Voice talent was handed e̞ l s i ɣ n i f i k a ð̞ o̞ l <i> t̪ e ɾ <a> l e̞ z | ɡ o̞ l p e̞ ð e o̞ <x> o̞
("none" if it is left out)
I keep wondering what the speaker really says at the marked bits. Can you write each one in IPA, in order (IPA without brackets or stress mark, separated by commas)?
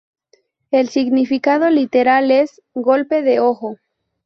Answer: i, a, x